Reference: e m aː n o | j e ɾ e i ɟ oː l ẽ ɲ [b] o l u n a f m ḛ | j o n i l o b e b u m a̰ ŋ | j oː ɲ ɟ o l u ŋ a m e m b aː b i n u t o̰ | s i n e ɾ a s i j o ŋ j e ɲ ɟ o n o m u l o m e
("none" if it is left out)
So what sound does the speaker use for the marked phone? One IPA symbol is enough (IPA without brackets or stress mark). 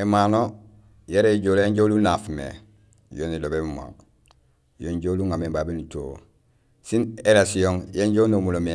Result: ɟ